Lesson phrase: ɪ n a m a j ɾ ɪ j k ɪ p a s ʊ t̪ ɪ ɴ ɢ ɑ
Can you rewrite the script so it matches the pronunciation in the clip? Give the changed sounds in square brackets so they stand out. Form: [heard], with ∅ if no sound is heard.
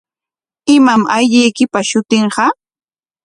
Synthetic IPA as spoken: ɪ [m] a m a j [ʎ] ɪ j k ɪ p a [ʃ] ʊ t̪ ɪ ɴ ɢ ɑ